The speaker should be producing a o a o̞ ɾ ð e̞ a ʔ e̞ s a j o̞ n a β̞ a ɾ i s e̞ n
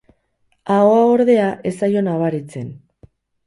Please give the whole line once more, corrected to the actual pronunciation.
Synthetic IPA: a o a o̞ ɾ ð e̞ a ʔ e̞ s a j o̞ n a β̞ a ɾ i t͡s e̞ n